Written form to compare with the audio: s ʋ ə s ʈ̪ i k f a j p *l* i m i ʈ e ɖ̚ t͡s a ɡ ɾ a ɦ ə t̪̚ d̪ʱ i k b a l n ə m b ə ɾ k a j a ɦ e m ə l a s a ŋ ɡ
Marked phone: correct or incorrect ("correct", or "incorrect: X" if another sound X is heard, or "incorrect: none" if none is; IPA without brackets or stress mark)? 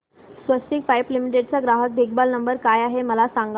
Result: correct